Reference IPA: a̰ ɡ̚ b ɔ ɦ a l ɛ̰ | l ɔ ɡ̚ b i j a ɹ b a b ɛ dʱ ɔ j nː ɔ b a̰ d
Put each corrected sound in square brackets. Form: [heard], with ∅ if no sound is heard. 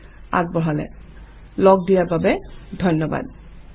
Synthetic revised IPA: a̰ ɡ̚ b ɔ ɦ a l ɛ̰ | l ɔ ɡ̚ [d] i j a ɹ b a b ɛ dʱ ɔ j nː ɔ b a̰ d